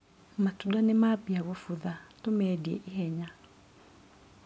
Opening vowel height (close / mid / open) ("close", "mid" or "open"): open